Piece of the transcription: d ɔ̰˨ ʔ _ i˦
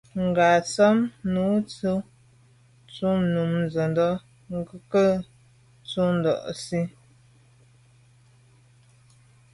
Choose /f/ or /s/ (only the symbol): s